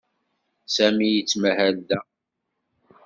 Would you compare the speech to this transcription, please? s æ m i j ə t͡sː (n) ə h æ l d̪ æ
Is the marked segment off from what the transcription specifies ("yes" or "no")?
yes